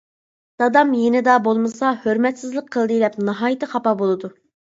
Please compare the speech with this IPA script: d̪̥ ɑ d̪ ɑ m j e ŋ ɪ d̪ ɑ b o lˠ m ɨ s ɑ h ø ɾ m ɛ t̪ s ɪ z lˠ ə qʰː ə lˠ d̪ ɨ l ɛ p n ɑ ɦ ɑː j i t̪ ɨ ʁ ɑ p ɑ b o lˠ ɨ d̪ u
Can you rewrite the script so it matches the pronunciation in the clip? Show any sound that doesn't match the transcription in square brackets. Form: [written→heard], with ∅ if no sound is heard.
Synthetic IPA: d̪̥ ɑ d̪ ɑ m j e [ŋ→n] ɪ d̪ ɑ b o lˠ m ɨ s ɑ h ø ɾ m ɛ t̪ s ɪ z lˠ ə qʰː ə lˠ d̪ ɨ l ɛ p n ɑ ɦ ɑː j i t̪ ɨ [ʁ→χ] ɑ p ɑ b o lˠ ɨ d̪ u

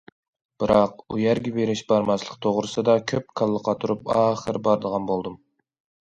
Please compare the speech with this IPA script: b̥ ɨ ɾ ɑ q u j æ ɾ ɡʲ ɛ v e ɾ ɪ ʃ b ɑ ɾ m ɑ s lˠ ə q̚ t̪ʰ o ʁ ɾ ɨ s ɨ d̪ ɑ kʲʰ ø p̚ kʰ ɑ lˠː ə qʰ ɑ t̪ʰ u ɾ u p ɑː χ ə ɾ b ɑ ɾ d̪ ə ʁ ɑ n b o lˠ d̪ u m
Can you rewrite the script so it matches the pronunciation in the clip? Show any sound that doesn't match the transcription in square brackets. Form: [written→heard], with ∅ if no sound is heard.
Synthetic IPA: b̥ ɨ ɾ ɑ q u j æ ɾ ɡʲ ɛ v e ɾ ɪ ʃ b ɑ ɾ m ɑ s lˠ ə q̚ t̪ʰ o ʁ ɾ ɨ s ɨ d̪ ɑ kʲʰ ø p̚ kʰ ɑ lˠː ə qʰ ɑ t̪ʰ u ɾ u p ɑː χ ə ɾ b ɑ ɾ d̪ ə ʁ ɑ n b o lˠ d̪ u m

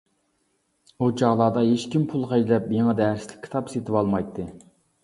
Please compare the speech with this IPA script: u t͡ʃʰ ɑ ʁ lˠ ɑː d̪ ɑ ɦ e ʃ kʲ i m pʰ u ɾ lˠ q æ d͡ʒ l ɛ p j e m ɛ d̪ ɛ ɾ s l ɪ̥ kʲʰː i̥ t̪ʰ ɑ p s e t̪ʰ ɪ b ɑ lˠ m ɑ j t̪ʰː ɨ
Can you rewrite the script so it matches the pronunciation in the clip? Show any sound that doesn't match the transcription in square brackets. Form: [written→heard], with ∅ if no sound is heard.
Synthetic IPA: u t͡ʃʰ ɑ ʁ lˠ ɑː d̪ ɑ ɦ e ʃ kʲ i m pʰ u [ɾ→∅] lˠ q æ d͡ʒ l ɛ p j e [m→ŋ] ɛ d̪ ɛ ɾ s l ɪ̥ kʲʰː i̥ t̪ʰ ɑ p s e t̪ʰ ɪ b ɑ lˠ m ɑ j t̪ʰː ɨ

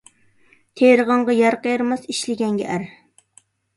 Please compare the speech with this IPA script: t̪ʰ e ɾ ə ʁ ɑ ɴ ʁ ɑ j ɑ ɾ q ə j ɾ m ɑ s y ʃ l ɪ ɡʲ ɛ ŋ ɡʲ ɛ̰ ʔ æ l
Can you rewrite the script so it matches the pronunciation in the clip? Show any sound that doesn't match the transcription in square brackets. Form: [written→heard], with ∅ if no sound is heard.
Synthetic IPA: t̪ʰ e ɾ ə ʁ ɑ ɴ ʁ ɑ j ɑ ɾ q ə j ɾ m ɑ s [y→i] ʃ l ɪ ɡʲ ɛ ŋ ɡʲ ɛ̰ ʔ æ [l→ɾ]

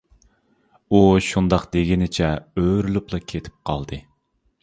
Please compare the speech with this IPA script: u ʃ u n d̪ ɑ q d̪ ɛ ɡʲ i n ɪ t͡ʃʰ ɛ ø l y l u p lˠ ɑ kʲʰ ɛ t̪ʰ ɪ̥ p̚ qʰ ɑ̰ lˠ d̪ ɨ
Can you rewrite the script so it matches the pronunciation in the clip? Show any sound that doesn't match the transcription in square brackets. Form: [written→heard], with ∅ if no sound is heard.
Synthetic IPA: u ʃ u n d̪ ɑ q d̪ [ɛ→e] ɡʲ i n ɪ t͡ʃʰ ɛ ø [l→ɾ] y l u p lˠ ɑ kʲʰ [ɛ→e] t̪ʰ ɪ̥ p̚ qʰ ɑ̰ lˠ d̪ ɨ

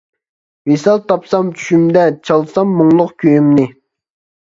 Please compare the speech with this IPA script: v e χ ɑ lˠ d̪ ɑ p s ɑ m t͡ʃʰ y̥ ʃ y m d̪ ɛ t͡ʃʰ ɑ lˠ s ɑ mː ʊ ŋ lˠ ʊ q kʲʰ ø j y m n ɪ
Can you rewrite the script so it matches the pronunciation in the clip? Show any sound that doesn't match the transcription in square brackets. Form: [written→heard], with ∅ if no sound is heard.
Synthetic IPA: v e [χ→s] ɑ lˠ [d̪→t̪] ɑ p s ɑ m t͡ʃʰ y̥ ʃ y m d̪ ɛ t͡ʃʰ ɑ lˠ s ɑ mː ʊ ŋ lˠ ʊ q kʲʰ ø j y m n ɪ

